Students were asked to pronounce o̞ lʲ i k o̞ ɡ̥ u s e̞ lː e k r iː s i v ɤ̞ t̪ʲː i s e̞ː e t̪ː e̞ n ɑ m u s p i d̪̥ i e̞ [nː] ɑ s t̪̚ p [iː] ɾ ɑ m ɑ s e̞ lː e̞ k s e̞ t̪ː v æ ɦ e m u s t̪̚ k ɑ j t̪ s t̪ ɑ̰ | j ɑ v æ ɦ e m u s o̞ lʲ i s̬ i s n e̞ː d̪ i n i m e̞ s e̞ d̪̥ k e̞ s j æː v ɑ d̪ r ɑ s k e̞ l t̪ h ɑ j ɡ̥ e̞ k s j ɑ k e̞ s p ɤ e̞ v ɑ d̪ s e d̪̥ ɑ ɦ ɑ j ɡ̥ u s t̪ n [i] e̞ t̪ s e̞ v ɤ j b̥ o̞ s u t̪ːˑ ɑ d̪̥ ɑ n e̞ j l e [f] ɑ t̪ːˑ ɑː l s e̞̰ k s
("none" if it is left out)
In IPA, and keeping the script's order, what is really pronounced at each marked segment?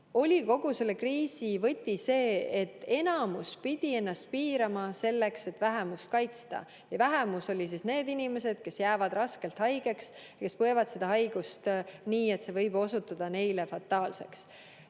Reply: nː, iː, iː, f

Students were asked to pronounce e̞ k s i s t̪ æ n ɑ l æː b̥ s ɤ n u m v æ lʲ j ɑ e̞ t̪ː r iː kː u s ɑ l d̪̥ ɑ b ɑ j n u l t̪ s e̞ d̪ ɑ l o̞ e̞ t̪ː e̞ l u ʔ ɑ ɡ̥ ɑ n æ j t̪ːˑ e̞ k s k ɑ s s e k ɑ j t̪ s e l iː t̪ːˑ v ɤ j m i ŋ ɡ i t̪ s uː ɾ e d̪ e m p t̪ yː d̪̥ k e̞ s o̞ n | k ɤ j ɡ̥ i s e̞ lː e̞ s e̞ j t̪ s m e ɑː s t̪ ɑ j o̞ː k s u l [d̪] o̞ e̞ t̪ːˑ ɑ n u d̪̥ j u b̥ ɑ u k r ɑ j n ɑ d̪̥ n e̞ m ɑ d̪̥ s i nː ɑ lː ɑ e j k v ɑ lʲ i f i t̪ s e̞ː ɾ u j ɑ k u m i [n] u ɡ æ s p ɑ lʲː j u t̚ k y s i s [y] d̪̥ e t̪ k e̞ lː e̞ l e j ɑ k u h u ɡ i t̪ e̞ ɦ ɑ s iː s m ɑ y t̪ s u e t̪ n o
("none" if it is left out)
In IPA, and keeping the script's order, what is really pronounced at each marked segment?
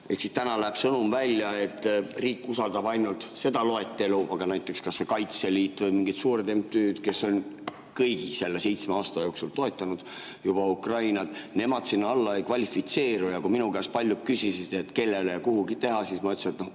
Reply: t̪, n, i

